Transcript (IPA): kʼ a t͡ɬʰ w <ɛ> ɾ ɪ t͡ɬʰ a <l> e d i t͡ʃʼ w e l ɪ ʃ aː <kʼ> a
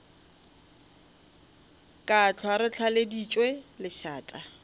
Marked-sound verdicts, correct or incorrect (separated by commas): incorrect, correct, incorrect